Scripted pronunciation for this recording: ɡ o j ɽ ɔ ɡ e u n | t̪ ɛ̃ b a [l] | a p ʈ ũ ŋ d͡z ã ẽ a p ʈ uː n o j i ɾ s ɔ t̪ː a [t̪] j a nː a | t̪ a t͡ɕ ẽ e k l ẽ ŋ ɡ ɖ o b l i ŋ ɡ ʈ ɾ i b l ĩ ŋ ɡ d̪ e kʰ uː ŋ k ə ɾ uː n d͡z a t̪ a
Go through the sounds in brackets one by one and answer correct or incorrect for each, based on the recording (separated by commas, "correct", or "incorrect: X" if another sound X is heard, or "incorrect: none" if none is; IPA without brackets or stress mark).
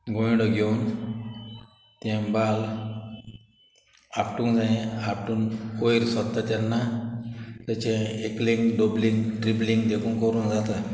correct, correct